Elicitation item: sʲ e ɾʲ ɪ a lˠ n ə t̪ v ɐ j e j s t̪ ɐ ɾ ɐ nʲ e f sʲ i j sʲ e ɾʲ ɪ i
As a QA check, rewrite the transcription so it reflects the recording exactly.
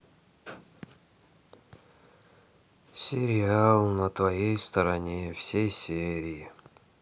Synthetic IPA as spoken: sʲ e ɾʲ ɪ a lˠ n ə t̪ v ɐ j e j s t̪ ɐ ɾ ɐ nʲ e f sʲ e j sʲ e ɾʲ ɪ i